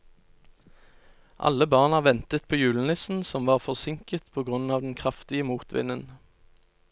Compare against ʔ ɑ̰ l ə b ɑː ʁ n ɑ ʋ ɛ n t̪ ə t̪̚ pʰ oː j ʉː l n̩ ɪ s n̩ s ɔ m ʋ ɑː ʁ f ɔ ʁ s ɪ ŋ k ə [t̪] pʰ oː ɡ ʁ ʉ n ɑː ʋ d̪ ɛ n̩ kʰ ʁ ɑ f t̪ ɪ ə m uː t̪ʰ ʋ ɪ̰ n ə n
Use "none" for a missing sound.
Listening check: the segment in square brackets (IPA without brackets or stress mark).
t̪